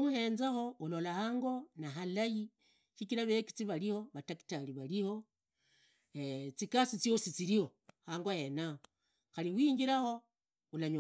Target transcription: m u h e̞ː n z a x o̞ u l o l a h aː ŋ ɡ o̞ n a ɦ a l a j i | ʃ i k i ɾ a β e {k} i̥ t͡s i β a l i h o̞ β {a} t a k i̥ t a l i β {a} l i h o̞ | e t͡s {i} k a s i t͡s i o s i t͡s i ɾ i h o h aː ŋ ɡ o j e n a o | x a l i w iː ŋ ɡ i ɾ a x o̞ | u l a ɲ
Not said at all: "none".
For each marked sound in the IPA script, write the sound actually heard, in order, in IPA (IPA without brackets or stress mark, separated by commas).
k, a, a, i